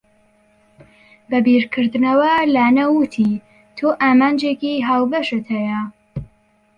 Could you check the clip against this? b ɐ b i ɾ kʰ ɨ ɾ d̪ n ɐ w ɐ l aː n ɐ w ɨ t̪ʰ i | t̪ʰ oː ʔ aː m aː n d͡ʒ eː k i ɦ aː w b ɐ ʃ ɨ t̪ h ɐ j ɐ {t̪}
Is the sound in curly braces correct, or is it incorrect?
incorrect: none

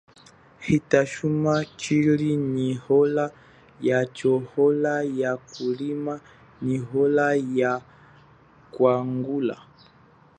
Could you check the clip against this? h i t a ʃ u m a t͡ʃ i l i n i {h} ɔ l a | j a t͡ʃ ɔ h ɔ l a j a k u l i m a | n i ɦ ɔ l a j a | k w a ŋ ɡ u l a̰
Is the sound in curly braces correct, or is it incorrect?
correct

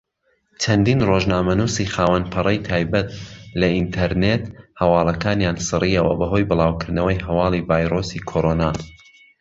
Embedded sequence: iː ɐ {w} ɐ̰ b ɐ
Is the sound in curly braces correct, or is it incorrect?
correct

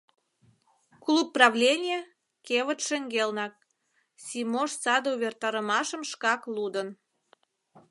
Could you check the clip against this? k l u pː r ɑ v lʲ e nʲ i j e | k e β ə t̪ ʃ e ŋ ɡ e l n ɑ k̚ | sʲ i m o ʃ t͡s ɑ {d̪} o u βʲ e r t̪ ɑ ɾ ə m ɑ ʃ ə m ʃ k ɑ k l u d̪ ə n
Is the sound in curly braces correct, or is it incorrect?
correct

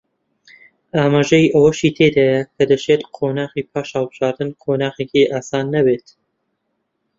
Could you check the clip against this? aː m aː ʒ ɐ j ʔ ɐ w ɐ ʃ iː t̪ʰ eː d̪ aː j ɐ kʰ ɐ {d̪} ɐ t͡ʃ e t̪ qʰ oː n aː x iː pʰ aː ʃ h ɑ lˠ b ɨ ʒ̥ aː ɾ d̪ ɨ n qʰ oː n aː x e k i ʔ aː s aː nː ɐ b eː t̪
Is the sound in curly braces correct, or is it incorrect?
correct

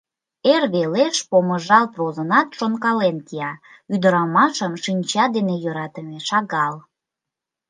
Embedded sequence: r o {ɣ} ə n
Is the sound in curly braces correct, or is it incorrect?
incorrect: z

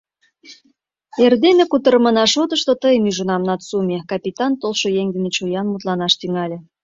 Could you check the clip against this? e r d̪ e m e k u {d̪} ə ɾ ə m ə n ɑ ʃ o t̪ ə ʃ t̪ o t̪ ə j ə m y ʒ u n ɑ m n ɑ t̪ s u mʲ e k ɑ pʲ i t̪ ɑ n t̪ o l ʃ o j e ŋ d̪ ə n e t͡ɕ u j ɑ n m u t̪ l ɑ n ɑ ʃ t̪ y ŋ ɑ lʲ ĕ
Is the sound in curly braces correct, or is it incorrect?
incorrect: t̪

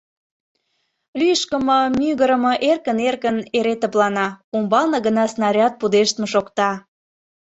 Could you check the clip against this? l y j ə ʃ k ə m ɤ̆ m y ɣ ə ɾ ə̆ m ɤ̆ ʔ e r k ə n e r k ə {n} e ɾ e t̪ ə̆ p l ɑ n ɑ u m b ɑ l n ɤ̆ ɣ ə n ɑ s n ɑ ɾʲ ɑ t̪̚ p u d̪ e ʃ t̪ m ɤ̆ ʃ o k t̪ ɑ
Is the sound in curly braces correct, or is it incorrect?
correct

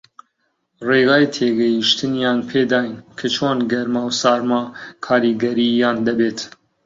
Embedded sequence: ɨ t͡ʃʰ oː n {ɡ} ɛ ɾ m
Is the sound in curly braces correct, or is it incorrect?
correct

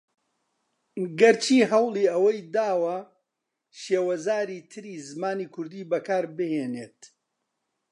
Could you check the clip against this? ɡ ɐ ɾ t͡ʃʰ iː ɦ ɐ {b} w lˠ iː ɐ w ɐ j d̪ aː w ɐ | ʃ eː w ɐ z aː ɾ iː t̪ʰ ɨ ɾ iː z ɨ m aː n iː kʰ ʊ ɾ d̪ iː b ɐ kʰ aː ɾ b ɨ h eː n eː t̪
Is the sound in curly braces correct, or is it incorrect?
incorrect: none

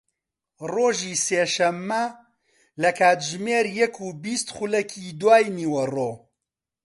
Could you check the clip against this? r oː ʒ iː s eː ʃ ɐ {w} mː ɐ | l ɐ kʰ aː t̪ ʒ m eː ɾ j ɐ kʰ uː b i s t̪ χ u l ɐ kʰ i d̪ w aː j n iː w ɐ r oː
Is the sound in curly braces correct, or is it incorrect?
incorrect: none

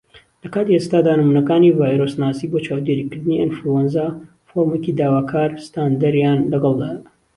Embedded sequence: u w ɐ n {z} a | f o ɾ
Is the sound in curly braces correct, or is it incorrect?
correct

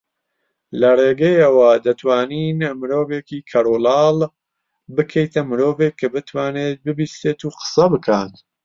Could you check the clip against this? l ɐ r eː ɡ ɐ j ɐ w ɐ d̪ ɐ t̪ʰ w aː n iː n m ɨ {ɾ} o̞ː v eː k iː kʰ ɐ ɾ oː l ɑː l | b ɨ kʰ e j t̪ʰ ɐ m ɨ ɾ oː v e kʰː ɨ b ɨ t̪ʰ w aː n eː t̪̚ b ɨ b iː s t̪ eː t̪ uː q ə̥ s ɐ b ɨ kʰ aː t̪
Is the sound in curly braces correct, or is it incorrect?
correct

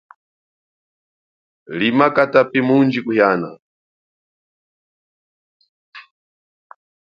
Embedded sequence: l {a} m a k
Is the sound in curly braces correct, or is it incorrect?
incorrect: i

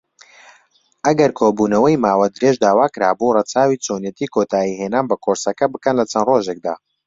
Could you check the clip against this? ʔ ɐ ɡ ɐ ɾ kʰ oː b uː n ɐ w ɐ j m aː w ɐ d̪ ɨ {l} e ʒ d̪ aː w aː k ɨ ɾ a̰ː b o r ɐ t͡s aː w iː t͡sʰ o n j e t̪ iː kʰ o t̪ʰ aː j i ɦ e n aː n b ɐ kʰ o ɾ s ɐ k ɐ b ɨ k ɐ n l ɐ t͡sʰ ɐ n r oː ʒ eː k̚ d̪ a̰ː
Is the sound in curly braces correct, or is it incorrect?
incorrect: ɾ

